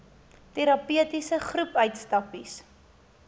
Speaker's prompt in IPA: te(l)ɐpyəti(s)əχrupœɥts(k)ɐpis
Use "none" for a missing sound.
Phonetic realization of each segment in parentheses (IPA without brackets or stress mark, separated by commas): ɾ, s, t